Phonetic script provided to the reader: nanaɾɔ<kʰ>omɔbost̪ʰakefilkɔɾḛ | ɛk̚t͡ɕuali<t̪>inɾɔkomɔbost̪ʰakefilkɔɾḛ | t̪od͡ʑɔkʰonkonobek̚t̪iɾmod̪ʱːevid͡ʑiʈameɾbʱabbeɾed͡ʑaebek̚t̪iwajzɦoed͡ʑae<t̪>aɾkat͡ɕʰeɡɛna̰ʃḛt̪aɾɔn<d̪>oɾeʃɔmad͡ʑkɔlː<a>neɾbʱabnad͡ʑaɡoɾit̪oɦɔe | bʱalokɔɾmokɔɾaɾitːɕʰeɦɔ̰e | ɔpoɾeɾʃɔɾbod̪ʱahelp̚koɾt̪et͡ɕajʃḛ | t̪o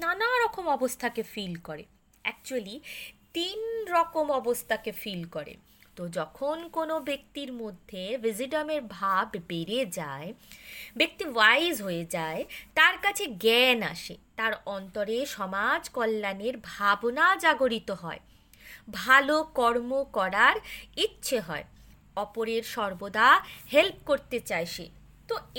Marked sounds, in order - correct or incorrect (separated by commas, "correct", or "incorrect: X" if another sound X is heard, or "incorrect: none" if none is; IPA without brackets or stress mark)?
incorrect: k, correct, correct, incorrect: t̪, correct